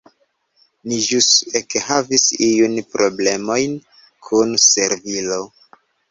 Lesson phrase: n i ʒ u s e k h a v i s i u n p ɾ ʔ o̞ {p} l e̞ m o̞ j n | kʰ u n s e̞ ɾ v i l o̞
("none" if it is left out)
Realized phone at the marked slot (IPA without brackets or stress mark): b